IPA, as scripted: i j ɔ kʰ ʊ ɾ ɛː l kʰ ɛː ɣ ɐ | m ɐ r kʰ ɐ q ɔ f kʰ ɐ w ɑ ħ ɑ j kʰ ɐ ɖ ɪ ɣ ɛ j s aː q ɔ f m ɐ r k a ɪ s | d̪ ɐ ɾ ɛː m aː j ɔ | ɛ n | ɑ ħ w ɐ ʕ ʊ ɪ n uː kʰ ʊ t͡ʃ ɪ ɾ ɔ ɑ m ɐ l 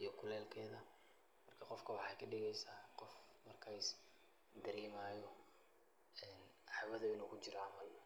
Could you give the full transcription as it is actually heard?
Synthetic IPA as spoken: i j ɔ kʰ ʊ l ɛː l kʰ ɛː ð ɐ | m ɐ r kʰ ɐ q ɔ f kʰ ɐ w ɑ ħ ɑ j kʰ ɐ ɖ ɪ ɣ ɛ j s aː q ɔ f m ɐ r kʰ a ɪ s | d̪ ɐ ɾ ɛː m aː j ɔ | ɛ n | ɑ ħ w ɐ ð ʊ ɪ n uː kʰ ʊ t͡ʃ ɪ ɾ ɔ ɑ m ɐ l